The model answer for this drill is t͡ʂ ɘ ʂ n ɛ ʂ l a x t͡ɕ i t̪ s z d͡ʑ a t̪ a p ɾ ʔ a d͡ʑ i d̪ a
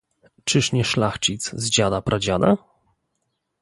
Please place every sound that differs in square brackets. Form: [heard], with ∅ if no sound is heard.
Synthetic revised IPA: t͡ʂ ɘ ʂ [ɲ] ɛ ʂ l a x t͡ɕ i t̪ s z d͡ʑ a [d̪] a p ɾ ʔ a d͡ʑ [a] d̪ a